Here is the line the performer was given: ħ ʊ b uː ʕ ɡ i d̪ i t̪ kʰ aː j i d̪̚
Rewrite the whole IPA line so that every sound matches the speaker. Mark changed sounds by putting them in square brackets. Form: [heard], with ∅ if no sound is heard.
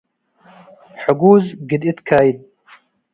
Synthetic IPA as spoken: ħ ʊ [ɡ] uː [z] ɡ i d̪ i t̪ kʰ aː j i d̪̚